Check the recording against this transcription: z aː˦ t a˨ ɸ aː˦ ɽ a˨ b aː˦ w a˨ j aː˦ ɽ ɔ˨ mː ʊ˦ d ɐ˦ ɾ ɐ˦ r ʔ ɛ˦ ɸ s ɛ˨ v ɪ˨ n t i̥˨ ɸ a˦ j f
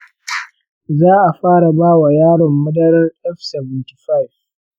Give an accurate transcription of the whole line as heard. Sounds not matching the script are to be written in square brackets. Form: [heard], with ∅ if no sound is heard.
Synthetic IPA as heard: z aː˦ [ʔ] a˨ ɸ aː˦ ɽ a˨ b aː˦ w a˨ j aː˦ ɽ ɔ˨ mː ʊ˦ d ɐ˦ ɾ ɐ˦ r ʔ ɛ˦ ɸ s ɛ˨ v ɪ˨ n t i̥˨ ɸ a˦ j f